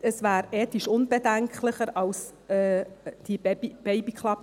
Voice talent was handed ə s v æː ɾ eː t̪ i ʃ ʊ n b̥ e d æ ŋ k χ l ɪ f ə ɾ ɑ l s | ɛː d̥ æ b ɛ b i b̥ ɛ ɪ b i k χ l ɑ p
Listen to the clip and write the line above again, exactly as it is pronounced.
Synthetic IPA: ə s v æː ɾ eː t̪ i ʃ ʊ n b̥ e d æ ŋ k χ l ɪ χ ə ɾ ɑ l s | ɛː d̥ i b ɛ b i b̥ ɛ ɪ b i k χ l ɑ p